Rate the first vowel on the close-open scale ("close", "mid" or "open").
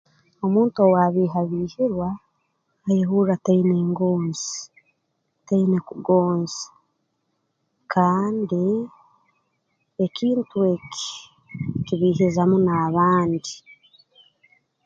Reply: mid